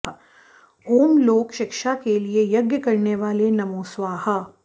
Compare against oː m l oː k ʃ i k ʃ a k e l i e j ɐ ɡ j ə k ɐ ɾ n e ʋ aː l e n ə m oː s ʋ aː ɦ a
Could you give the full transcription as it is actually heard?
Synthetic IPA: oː m l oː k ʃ ɪ k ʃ a k e l i e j ɐ ɡ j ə k ɐ ɾ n e ʋ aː l e n ɐ m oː s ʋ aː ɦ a